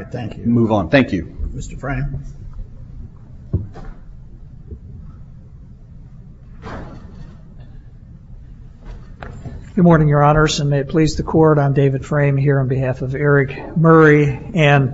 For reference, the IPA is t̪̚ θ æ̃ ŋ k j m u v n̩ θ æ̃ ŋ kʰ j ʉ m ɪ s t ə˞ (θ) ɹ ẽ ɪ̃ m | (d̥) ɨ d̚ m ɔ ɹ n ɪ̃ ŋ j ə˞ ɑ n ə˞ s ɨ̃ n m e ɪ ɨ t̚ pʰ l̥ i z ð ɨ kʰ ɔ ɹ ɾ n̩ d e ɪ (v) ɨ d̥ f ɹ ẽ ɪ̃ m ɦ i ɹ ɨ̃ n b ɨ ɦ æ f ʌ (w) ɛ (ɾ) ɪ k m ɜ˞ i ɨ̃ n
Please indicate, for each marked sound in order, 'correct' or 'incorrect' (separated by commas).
incorrect, incorrect, correct, incorrect, incorrect